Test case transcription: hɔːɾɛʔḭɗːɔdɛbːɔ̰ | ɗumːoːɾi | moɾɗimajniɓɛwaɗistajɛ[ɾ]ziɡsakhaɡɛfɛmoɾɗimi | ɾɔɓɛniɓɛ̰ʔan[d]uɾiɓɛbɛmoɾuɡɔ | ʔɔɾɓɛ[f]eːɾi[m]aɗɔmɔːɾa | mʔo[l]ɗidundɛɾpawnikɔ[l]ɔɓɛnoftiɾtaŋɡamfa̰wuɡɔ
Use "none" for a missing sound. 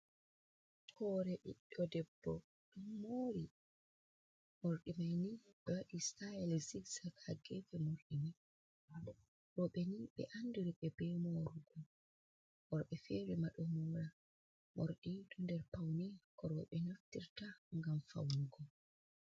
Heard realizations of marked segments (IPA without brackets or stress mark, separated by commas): l, d, f, m, ɾ, ɾ